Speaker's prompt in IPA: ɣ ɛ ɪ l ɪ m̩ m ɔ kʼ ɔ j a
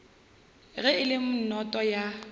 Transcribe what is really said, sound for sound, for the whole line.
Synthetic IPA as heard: ɣ ɛ ɪ l ɪ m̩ n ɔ tʼ ɔ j a